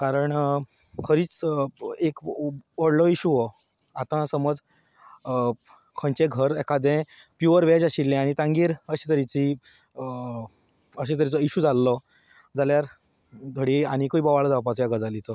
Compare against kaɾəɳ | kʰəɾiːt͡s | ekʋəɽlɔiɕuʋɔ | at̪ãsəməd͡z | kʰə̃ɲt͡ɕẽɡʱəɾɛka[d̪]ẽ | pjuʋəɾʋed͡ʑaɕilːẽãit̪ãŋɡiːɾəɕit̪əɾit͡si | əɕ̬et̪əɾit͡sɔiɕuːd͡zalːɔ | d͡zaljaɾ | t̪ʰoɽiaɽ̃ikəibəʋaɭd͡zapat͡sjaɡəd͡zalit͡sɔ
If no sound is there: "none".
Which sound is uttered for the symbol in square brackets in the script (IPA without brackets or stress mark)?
d̪